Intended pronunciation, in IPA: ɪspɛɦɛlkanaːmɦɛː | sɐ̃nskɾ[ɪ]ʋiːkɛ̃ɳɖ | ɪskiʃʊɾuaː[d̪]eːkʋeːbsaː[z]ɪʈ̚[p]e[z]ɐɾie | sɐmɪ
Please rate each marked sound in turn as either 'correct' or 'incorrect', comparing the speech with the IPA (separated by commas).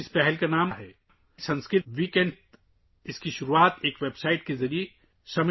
correct, incorrect, incorrect, incorrect, correct